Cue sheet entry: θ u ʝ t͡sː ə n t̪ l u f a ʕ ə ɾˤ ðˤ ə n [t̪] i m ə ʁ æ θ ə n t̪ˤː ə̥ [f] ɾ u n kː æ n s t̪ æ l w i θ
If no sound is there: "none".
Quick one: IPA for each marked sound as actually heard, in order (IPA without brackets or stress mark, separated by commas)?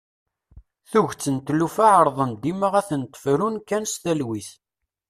d̪, f